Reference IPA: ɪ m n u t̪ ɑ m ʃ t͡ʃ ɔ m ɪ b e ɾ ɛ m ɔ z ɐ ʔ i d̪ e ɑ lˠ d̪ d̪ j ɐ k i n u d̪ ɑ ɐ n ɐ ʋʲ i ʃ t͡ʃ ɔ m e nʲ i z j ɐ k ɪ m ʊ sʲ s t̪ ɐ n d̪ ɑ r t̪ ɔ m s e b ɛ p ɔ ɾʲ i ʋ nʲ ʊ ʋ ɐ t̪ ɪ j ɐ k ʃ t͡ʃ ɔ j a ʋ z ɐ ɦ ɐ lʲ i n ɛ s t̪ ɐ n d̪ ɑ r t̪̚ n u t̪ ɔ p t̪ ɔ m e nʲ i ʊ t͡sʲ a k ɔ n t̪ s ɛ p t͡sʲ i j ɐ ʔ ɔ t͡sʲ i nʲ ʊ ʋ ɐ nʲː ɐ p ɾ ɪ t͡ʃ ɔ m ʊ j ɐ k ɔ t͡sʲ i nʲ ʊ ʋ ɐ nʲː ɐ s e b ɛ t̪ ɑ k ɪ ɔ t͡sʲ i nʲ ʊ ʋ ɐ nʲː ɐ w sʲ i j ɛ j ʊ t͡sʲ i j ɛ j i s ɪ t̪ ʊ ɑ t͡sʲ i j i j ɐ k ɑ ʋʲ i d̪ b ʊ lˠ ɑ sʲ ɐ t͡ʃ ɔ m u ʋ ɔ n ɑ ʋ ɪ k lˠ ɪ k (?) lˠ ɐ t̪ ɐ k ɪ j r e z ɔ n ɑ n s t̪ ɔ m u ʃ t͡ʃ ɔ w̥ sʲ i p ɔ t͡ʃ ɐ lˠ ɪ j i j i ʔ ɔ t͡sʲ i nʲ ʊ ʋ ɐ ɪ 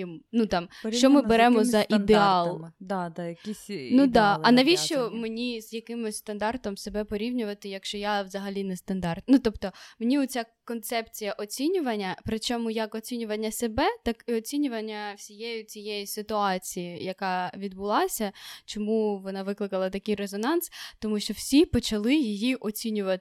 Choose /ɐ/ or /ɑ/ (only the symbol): ɐ